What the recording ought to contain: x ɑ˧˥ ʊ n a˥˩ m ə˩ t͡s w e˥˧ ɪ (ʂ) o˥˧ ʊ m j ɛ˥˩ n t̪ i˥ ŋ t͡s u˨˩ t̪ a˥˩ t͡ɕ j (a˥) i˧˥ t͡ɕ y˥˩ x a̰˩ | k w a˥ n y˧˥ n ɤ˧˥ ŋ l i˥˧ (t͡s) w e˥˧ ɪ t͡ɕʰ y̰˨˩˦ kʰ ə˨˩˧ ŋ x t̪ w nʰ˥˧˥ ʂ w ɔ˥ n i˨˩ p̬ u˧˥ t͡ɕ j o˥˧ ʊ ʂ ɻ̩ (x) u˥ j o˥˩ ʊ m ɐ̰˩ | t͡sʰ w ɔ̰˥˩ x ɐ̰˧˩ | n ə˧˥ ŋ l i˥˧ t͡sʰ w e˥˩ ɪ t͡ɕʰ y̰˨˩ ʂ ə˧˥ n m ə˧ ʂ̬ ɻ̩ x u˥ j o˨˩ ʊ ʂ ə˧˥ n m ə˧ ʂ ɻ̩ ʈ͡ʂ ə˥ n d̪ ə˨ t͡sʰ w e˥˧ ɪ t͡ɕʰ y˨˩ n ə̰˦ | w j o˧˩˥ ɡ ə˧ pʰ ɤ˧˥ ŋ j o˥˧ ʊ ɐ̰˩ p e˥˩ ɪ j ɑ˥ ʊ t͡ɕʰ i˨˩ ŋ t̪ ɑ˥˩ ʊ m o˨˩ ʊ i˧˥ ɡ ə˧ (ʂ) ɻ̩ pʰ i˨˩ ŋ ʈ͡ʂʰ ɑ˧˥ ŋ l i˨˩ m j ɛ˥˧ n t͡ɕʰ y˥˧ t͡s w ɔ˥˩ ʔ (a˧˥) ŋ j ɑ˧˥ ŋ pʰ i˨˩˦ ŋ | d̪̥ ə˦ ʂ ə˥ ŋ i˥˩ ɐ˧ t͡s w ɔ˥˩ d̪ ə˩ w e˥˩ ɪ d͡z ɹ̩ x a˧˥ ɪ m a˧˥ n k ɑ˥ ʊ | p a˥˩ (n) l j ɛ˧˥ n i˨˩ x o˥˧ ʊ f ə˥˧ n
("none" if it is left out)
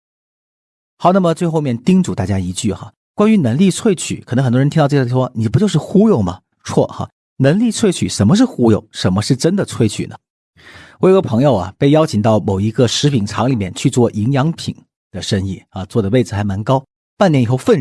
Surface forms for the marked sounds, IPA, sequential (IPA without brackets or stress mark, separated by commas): x, a˥, t͡sʰ, x, ʂ, i˧˥, n